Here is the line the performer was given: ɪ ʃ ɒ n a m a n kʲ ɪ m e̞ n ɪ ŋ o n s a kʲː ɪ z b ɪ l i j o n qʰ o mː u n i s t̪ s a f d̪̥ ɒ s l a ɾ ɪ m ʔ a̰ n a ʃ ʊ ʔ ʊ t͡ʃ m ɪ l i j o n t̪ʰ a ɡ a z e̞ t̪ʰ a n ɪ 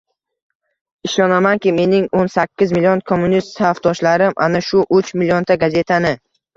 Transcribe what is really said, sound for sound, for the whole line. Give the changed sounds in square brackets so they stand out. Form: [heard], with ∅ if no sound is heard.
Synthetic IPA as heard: ɪ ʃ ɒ n a m a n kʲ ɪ m e̞ n ɪ ŋ o n s a kʲː ɪ z [m] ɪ l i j o n [kʰ] o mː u n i s t̪ s a f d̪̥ ɒ [ʃ] l a ɾ ɪ m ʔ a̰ n a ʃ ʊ ʔ ʊ t͡ʃ m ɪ l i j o n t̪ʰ a ɡ a z e̞ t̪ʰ a n ɪ